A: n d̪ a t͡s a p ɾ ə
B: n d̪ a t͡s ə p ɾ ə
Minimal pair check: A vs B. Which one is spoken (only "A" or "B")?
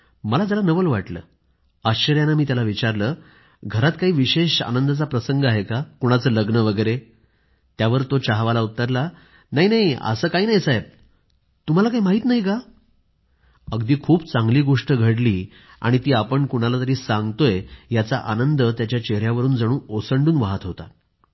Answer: A